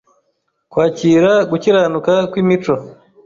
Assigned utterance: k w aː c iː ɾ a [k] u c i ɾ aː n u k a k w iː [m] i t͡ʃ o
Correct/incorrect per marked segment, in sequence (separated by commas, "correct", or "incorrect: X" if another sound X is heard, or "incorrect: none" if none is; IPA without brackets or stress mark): incorrect: ɡ, correct